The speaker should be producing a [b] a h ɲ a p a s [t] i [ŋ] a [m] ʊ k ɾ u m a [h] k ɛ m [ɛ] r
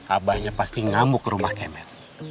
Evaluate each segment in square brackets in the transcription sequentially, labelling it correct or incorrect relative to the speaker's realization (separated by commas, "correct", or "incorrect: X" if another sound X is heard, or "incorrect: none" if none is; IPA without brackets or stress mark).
correct, correct, correct, correct, correct, correct